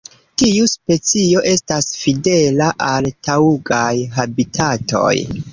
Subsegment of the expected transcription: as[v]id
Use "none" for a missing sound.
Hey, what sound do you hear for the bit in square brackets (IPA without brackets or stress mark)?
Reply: f